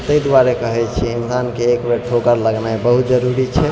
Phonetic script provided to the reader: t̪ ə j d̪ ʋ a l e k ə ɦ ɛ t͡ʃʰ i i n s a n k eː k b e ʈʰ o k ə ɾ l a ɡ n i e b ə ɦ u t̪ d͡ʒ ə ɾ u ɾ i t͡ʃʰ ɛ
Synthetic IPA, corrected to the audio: t̪ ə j d̪ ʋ a ɾ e k ə ɦ ɛ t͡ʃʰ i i n s a n k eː k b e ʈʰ o k ə ɾ l ə ɡ n a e b ə ɦ u t̪ d͡ʒ ə ɾ u ɾ i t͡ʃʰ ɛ